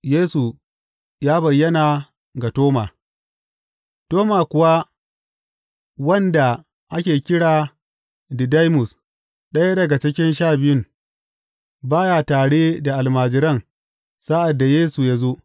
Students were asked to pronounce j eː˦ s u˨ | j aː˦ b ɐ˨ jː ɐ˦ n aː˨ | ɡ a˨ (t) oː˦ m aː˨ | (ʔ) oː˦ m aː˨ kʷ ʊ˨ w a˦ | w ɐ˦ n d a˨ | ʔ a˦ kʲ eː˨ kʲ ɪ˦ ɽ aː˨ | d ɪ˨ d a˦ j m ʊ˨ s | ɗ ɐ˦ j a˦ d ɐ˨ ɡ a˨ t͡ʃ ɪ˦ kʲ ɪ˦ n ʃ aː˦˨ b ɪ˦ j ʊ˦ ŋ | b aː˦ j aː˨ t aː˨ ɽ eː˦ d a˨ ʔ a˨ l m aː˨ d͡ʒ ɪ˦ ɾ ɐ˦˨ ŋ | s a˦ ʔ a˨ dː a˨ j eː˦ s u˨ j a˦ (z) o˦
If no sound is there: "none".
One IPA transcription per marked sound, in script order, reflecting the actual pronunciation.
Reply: t, t, z

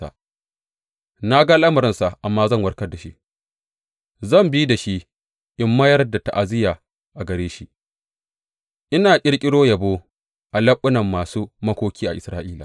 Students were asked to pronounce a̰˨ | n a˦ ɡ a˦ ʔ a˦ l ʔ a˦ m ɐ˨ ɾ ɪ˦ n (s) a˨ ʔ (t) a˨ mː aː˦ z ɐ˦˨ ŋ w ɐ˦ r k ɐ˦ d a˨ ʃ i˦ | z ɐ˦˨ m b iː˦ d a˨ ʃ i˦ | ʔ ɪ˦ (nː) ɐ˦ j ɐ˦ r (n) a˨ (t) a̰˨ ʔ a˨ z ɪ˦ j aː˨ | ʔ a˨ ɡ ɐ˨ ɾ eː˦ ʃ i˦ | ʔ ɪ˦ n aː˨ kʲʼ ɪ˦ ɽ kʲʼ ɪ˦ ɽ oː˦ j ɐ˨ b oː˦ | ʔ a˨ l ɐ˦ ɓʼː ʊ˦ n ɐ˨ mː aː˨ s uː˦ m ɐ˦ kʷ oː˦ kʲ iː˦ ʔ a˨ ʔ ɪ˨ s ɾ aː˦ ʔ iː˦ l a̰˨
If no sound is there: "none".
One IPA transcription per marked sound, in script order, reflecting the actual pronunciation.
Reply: s, ʔ, mː, d, t

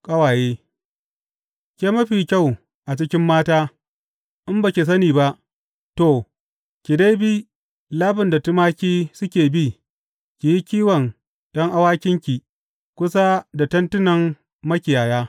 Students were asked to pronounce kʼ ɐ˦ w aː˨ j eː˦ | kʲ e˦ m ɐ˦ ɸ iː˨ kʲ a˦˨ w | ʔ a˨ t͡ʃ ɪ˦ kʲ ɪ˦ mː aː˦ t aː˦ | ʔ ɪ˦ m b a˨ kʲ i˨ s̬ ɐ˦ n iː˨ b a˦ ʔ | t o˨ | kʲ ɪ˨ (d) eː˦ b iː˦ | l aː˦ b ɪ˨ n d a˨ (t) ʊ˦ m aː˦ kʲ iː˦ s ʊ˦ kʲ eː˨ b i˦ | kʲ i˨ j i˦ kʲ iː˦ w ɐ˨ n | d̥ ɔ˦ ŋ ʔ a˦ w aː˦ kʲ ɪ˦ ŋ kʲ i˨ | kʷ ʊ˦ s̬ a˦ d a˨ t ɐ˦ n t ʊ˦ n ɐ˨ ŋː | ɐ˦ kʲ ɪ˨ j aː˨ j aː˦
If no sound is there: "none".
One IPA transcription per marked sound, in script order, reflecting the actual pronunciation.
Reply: d, t

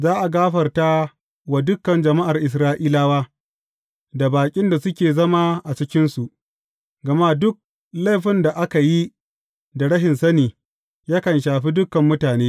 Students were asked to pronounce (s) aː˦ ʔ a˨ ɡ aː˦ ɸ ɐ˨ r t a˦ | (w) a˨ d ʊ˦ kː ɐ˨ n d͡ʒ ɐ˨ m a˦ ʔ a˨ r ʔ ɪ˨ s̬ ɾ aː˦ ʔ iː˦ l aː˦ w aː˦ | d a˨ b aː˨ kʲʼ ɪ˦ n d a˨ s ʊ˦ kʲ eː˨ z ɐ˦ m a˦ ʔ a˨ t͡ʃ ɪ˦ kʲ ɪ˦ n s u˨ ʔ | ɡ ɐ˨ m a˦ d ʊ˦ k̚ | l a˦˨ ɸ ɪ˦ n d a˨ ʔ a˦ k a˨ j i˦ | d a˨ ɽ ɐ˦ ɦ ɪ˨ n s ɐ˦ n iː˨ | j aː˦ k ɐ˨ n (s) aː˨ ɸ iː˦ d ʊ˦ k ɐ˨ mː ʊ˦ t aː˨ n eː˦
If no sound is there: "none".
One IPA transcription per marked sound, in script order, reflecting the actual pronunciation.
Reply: z, w, ʃ

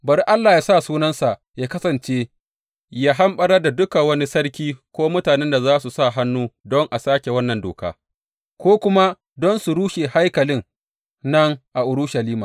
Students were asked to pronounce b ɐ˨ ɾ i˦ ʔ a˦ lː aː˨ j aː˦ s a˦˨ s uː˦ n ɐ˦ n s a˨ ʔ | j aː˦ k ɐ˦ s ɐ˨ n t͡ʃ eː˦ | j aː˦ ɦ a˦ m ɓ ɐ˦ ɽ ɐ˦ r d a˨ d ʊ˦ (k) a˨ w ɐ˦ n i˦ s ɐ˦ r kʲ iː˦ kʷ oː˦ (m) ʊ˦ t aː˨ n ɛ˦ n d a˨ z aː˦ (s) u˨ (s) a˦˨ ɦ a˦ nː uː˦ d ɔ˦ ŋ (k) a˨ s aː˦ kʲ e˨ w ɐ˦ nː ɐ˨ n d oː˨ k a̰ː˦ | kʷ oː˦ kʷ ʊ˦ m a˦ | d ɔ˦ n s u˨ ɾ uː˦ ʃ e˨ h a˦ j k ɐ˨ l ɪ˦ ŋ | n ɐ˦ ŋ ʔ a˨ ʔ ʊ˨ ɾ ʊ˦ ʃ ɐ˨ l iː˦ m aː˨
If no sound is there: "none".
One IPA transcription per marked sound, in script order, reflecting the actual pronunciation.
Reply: k, m, s, s, ʔ

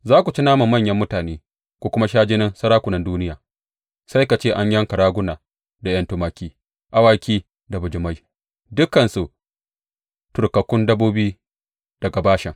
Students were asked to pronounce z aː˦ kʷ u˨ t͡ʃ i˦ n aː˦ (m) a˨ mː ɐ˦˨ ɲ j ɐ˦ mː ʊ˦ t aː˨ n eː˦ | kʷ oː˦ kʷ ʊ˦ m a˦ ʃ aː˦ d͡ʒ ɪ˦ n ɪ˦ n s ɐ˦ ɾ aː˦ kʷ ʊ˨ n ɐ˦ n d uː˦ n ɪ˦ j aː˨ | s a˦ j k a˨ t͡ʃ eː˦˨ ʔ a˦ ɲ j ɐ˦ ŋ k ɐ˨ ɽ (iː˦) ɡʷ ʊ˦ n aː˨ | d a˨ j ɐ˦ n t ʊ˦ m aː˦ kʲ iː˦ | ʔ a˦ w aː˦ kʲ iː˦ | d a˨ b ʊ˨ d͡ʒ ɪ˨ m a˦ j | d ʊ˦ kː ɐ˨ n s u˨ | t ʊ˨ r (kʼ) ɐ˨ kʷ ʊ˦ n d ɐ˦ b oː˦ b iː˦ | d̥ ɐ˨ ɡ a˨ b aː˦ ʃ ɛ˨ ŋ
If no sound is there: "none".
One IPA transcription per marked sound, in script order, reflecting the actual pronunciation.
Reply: m, aː˦, k

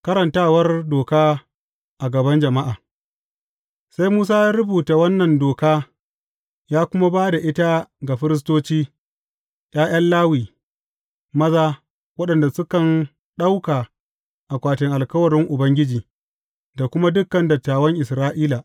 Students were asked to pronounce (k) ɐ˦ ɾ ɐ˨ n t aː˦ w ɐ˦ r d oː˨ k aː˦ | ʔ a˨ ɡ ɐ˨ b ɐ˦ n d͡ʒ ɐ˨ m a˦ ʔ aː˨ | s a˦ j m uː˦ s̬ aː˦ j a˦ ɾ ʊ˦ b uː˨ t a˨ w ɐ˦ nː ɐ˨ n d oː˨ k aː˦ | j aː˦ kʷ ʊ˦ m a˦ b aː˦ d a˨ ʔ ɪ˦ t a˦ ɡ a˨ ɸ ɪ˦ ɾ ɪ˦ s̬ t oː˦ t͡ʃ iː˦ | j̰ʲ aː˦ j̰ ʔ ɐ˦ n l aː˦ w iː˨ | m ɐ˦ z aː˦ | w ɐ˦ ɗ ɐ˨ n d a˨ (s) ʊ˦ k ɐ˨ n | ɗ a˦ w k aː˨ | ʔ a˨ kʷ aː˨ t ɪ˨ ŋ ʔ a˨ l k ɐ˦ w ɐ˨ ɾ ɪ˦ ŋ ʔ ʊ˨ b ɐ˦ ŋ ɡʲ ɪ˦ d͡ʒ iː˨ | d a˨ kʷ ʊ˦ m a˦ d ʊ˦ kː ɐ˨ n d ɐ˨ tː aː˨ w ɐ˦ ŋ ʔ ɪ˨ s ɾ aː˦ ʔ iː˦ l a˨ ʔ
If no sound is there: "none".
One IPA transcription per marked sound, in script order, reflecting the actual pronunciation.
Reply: k, s

